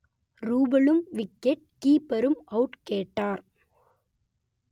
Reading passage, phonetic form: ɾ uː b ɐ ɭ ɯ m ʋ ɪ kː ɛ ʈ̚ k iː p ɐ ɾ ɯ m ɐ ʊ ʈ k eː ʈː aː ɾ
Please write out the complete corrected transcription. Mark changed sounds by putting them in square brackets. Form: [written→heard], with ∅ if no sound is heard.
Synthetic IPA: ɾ uː b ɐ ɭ ɯ m ʋ ɪ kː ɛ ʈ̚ k iː p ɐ ɾ ɯ m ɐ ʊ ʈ k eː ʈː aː ɾ